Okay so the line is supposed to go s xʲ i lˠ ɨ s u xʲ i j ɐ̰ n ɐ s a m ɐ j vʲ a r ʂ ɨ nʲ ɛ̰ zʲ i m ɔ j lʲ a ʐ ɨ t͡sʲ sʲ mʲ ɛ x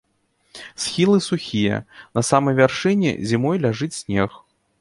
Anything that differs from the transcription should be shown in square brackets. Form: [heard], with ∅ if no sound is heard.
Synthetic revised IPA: s xʲ i lˠ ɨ s u xʲ i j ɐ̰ n ɐ s a m ɐ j vʲ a r ʂ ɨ nʲ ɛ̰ zʲ i m ɔ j lʲ a ʐ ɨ t͡sʲ sʲ [nʲ] ɛ x

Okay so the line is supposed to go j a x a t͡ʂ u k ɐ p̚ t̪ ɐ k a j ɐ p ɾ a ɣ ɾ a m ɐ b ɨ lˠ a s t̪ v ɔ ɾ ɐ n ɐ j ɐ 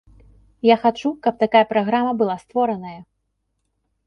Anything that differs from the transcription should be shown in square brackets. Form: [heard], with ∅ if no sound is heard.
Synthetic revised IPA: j a x a t͡ʂ u k ɐ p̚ t̪ [a] k a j ɐ p ɾ a ɣ ɾ a m ɐ b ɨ lˠ a s t̪ v ɔ ɾ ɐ n ɐ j ɐ

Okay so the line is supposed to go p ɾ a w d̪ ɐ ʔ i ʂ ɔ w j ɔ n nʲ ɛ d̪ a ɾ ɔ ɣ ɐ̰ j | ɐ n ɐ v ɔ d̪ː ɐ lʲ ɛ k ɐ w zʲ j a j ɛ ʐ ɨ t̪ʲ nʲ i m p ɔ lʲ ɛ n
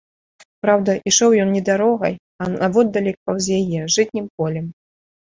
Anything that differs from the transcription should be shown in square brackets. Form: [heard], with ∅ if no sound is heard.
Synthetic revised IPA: p ɾ a w d̪ ɐ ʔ i ʂ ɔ w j ɔ n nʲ ɛ d̪ a ɾ ɔ ɣ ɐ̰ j | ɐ n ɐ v ɔ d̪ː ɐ lʲ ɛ k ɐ w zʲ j a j ɛ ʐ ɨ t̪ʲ nʲ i m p ɔ lʲ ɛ [m]

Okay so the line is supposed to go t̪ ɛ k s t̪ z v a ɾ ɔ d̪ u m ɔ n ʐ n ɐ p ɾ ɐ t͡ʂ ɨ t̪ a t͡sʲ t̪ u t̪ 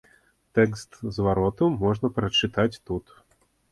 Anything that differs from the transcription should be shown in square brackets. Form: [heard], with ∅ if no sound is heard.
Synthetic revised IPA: t̪ ɛ k s t̪ z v a ɾ ɔ [t̪] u m ɔ [∅] ʐ n ɐ p ɾ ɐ t͡ʂ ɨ t̪ a t͡sʲ t̪ u t̪

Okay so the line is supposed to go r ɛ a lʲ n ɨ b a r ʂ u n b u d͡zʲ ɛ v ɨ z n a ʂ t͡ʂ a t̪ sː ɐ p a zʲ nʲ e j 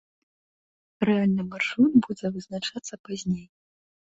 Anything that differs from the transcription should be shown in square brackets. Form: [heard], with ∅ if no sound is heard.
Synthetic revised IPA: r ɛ a lʲ n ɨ [m] a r ʂ u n b u d͡zʲ ɛ v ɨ z n a [∅] t͡ʂ a t̪ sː ɐ p a zʲ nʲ e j

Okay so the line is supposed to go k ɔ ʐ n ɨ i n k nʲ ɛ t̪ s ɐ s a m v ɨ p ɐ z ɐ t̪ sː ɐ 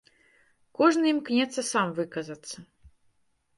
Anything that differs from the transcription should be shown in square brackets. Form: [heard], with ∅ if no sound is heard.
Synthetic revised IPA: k ɔ ʐ n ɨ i [m] k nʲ ɛ t̪ s ɐ s a m v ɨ [k] ɐ z ɐ t̪ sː ɐ

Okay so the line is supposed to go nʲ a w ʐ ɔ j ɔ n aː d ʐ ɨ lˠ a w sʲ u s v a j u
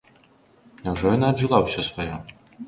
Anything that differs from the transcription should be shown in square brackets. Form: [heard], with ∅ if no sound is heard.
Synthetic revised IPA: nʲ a w ʐ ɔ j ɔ n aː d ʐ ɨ lˠ a w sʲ [ɔ] s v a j [ɔ]

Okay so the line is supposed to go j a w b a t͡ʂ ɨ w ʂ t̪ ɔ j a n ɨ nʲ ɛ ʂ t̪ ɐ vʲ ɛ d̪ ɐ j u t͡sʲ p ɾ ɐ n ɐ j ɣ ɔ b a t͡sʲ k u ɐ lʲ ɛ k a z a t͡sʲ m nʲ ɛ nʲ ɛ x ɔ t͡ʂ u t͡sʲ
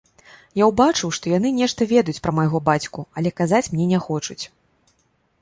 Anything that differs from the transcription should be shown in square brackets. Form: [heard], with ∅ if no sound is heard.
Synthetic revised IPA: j a w b a t͡ʂ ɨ w ʂ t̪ ɔ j a n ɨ nʲ ɛ ʂ t̪ ɐ vʲ ɛ d̪ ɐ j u t͡sʲ p ɾ ɐ [m] ɐ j ɣ ɔ b a t͡sʲ k u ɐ lʲ ɛ k a z a t͡sʲ m nʲ ɛ nʲ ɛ x ɔ t͡ʂ u t͡sʲ

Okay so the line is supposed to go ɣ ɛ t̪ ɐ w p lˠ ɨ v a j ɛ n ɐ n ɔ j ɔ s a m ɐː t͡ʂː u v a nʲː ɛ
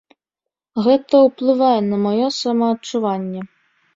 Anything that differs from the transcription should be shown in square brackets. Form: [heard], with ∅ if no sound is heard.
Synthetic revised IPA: ɣ ɛ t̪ ɐ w p lˠ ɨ v a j ɛ n ɐ [m] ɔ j ɔ s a m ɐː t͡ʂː u v a nʲː ɛ

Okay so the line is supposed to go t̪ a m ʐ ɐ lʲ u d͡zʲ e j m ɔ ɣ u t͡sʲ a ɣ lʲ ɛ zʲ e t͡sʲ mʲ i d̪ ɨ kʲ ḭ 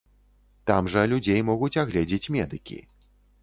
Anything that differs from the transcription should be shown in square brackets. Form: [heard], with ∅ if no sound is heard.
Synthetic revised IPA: t̪ a m ʐ ɐ lʲ u d͡zʲ e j m ɔ ɣ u t͡sʲ a ɣ lʲ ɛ [d͡zʲ] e t͡sʲ mʲ [ɛ] d̪ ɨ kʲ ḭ

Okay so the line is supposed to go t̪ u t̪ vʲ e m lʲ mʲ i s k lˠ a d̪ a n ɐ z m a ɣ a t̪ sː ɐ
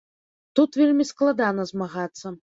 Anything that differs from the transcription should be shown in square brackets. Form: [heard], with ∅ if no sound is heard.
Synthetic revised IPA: t̪ u t̪ vʲ e [∅] lʲ mʲ i s k lˠ a d̪ a n ɐ z m a ɣ a t̪ sː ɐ

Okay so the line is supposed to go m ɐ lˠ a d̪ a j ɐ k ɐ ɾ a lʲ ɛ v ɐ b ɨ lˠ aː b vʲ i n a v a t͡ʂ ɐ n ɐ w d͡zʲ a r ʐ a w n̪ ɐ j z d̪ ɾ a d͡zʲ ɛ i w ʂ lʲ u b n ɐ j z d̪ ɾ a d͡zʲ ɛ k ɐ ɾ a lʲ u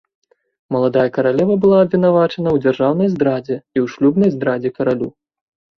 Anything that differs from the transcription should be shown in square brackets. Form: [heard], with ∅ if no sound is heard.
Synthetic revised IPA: m ɐ lˠ a d̪ a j ɐ k ɐ ɾ a lʲ ɛ v ɐ b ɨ lˠ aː b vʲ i n a v a t͡ʂ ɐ n ɐ w d͡zʲ a r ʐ a w n̪ ɐ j z d̪ ɾ a d͡zʲ ɛ i w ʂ lʲ u b n ɐ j z d̪ ɾ a d͡zʲ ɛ k ɐ ɾ a lʲ u

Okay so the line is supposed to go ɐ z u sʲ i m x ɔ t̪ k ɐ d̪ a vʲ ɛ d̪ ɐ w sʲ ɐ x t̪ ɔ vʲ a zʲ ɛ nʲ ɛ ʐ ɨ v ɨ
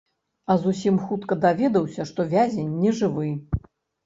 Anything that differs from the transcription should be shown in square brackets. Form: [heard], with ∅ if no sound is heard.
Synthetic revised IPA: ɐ z u sʲ i m x [u] t̪ k ɐ d̪ a vʲ ɛ d̪ ɐ w sʲ ɐ [ʂ] t̪ ɔ vʲ a zʲ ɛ [nʲː] ɛ ʐ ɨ v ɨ

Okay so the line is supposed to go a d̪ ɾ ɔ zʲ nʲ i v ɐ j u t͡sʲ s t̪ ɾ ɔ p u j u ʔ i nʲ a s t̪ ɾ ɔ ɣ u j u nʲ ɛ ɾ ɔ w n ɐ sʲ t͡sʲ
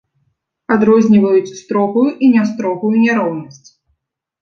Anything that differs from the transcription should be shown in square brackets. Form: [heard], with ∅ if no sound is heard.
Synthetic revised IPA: a d̪ ɾ ɔ zʲ nʲ i v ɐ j u t͡sʲ s t̪ ɾ ɔ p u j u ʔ i nʲ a s t̪ ɾ ɔ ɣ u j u nʲ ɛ ɾ ɔ w n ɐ sʲ t͡sʲ

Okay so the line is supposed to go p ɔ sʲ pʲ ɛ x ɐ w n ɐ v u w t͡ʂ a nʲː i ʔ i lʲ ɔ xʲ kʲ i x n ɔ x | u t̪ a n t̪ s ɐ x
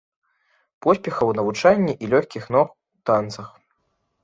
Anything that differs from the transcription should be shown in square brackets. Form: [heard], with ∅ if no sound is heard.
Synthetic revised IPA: p ɔ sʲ pʲ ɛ x ɐ w n ɐ v u [∅] t͡ʂ a nʲː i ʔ i lʲ ɔ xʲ kʲ i x n ɔ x | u t̪ a n t̪ s ɐ x

